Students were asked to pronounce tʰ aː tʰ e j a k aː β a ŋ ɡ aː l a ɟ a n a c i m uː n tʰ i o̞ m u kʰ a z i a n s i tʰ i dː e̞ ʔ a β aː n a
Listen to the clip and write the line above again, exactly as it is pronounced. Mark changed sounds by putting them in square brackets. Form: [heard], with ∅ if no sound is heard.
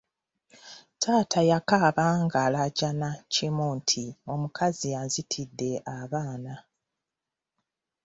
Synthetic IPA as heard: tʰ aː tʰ [a] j a k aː β a ŋ ɡ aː l a ɟ a n a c i m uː n tʰ i o̞ m u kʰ a z i a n [z] i tʰ i dː e̞ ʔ a β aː n a